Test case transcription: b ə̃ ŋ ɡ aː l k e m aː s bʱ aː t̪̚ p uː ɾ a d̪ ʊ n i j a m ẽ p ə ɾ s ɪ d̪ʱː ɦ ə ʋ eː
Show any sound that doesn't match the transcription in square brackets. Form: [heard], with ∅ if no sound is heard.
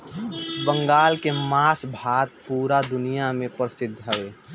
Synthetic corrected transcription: b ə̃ ŋ ɡ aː l k e m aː s bʱ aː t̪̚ p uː ɾ a d̪ ʊ n i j a m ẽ p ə ɾ s ɪ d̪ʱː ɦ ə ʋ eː